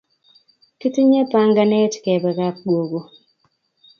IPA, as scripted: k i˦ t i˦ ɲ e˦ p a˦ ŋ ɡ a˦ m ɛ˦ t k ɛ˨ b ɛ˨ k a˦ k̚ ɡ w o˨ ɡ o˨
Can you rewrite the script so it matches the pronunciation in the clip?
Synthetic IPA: k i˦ t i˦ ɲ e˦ p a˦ ŋ ɡ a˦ n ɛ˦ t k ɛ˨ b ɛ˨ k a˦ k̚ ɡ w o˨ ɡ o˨